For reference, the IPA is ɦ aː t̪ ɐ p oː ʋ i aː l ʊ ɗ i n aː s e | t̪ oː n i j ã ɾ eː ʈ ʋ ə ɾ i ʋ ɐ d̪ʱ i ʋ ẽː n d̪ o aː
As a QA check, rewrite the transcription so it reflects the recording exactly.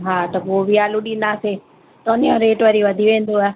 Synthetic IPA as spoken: ɦ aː t̪ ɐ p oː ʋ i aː l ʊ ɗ i n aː s e | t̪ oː n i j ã ɾ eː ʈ ʋ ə ɾ i ʋ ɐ d̪ʱ i ʋ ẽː n d̪ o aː